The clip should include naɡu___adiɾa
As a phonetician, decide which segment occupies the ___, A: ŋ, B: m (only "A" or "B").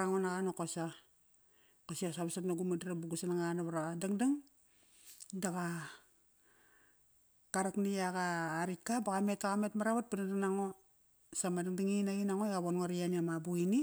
B